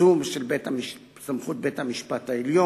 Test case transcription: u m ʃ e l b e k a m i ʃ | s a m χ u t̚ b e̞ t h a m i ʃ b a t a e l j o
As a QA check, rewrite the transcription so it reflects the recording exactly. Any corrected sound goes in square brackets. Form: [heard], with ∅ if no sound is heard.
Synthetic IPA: u m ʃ e l b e [t] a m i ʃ | s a m χ u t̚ b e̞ t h a m i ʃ [p] a t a e l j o